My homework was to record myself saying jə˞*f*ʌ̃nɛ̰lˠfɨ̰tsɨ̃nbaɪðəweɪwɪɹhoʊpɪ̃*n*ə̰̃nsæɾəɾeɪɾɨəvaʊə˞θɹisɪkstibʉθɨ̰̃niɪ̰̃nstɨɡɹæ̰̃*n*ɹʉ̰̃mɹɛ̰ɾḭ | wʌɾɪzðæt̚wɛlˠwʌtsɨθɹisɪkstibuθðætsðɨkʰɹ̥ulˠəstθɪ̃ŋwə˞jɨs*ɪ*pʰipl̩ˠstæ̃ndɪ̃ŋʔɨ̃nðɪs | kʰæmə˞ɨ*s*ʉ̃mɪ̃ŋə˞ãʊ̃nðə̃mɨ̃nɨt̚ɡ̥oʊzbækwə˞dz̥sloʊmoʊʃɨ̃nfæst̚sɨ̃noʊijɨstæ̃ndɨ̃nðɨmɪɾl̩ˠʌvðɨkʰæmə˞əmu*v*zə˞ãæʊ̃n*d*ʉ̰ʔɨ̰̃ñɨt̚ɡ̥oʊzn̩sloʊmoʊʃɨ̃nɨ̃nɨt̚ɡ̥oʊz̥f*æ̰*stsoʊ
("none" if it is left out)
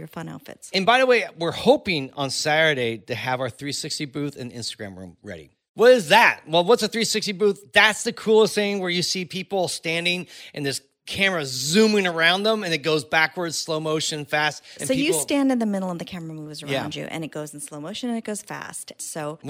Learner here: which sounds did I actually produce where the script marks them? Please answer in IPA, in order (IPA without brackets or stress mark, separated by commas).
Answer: f, ŋ, m, i, z, v, d͡ʒ, æ̰